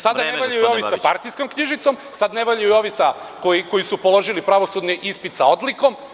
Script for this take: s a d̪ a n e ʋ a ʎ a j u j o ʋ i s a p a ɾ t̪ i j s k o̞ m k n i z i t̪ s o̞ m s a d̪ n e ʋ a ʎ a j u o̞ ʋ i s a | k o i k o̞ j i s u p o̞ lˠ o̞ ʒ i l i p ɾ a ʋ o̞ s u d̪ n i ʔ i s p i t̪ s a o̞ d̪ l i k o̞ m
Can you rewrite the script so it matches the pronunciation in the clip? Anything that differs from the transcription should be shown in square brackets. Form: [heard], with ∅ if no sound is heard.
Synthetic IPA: s a d̪ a n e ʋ a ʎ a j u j o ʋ i s a p a ɾ t̪ i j s k o̞ m k [ɲ] i [ʒ] i t̪ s o̞ m s a d̪ n e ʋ a ʎ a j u o̞ ʋ i s a | k o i k o̞ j i s u p o̞ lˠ o̞ ʒ i l i p ɾ a ʋ o̞ s u d̪ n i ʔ i s p i t̪ s a o̞ d̪ l i k o̞ m